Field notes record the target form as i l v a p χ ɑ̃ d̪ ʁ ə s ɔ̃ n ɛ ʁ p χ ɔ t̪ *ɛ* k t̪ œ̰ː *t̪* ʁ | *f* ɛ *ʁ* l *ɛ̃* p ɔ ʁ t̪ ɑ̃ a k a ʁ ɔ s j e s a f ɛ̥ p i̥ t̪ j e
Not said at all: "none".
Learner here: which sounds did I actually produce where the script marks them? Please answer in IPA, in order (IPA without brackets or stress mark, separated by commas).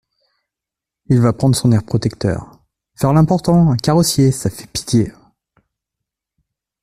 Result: ɛ, none, f, ʁ, ɛ̃